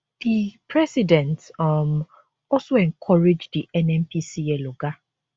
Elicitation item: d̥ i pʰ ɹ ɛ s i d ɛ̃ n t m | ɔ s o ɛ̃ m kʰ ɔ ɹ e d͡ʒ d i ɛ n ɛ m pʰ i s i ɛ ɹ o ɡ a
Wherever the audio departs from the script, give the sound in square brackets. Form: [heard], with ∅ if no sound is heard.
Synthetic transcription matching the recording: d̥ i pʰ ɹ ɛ s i d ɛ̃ n t m | ɔ s o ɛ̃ [ŋ] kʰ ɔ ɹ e d͡ʒ d i ɛ n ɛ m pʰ i s i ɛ [l] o ɡ a